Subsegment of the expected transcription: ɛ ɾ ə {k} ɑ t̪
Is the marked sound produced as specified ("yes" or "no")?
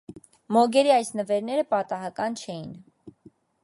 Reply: no